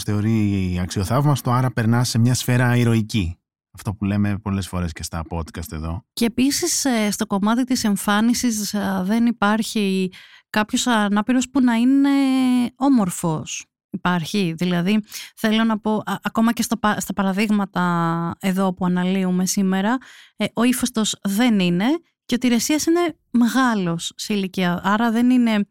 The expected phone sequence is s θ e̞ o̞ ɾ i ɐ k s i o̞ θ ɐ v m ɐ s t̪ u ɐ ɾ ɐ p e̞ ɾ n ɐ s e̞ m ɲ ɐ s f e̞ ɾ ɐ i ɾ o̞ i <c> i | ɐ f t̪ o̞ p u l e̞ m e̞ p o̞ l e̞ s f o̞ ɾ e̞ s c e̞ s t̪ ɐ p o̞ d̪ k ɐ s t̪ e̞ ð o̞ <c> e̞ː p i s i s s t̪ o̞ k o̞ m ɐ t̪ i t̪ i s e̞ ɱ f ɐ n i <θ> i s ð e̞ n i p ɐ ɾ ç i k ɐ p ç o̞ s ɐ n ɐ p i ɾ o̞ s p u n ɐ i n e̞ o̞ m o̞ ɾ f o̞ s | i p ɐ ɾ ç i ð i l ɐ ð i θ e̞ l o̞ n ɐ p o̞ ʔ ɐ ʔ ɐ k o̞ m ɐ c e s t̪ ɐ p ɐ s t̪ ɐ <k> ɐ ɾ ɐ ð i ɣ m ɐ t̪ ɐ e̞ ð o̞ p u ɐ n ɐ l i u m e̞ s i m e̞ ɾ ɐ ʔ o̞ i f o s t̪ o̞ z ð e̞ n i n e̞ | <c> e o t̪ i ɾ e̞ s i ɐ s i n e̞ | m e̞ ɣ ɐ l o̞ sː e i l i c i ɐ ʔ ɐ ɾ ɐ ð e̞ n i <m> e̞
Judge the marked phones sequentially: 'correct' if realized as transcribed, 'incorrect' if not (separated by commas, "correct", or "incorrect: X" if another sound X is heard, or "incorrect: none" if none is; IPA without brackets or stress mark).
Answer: correct, correct, incorrect: s, incorrect: p, correct, incorrect: n